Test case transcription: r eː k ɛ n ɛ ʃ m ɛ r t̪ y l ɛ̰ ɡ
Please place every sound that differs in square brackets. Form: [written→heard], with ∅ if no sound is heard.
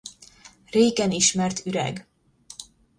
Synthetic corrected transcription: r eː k ɛ n [ɛ→i] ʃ m ɛ r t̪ y [l→ɾ] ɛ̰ ɡ